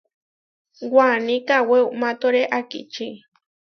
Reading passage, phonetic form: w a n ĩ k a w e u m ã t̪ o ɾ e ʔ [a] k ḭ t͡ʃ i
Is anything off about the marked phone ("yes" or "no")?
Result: no